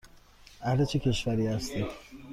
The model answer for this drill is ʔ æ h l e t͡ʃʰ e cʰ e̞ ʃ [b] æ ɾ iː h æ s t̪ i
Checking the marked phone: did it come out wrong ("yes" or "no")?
yes